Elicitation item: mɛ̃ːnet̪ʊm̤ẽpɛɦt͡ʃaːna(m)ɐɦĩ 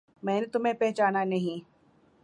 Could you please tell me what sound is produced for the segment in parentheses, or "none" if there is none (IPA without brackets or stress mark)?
n